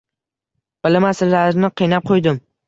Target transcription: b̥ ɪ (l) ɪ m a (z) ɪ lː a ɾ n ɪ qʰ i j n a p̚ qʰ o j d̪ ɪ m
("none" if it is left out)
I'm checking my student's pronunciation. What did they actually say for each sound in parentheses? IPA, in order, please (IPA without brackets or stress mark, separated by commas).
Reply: l, s